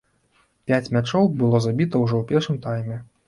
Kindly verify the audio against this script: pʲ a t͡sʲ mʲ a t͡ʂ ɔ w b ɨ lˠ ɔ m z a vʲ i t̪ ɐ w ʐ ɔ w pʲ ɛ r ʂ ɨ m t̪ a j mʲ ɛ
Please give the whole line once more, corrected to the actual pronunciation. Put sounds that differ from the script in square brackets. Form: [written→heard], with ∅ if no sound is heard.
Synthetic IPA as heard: pʲ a t͡sʲ mʲ a t͡ʂ ɔ w b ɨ lˠ ɔ [m→∅] z a [vʲ→bʲ] i t̪ ɐ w ʐ ɔ w pʲ ɛ r ʂ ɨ m t̪ a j mʲ ɛ